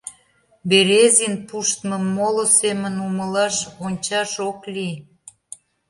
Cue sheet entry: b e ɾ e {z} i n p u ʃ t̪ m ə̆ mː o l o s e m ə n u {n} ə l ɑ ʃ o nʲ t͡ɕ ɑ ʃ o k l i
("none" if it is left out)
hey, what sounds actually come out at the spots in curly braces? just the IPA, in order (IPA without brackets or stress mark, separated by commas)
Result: z, m